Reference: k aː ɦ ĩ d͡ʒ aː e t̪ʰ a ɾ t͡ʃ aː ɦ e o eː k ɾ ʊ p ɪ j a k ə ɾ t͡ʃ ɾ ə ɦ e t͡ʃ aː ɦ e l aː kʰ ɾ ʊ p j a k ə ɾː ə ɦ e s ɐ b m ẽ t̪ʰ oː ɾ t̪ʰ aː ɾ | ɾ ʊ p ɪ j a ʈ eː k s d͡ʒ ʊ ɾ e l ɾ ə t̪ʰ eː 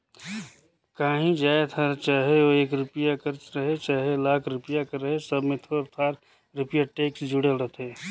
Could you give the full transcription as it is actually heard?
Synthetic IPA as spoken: k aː ɦ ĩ d͡ʒ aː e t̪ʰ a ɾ t͡ʃ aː ɦ e o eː k ɾ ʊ p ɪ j a k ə ɾ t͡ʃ ɾ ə ɦ e t͡ʃ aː ɦ e l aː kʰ ɾ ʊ p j a k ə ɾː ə ɦ e s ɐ b m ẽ t̪ʰ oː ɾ t̪ʰ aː ɾ | ɾ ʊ p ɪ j a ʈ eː k s d͡ʒ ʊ ɽ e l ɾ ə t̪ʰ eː